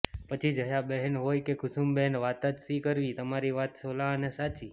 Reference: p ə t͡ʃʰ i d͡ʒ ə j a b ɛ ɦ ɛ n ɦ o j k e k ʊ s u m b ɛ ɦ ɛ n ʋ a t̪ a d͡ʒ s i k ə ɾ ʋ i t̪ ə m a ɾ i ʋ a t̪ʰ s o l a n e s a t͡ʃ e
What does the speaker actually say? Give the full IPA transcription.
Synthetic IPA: p ə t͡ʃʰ i d͡ʒ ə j a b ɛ ɦ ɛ n ɦ o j k e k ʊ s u m b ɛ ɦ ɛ n ʋ a t̪ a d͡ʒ s i k ə ɾ ʋ i t̪ ə m a ɾ i ʋ a t̪ s o l a n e s a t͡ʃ i